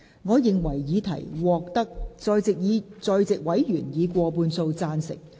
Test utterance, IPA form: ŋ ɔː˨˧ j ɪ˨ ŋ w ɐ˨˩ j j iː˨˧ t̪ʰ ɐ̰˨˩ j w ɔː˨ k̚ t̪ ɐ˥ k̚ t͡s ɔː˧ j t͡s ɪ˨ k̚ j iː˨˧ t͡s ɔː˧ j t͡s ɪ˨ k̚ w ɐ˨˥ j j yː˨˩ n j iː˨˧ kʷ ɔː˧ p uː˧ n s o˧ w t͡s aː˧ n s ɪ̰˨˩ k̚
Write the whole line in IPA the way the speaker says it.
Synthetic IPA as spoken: ŋ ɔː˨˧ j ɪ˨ ŋ w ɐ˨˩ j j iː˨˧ t̪ʰ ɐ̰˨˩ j w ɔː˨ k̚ t̪ ɐ˥ k̚ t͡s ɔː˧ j t͡s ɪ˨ k̚ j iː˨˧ t͡s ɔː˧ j t͡s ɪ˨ k̚ w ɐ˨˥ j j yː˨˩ n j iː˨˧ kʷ ɔː˧ p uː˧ n s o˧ w t͡s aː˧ n s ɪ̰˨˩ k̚